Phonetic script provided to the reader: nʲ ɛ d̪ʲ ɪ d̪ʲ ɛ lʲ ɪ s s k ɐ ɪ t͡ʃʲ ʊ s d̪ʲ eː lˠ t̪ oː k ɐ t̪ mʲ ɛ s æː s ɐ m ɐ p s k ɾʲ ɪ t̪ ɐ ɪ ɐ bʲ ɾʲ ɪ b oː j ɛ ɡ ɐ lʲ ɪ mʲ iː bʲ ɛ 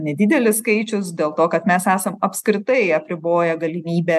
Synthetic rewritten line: nʲ ɛ d̪ʲ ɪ d̪ʲ ɛ lʲ ɪ s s k ɐ ɪ t͡ʃʲ ʊ s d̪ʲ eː lˠ t̪ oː k ɐ t̪ mʲ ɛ s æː s ɐ m ɐ p s k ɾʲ ɪ t̪ ɐ ɪ ɐ pʲ ɾʲ ɪ b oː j ɛ ɡ ɐ lʲ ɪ mʲ iː bʲ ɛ